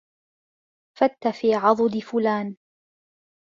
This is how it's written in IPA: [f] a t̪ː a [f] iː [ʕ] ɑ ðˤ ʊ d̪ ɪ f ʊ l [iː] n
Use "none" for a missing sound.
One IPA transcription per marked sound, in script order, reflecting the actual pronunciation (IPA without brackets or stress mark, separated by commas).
f, f, ʕ, aː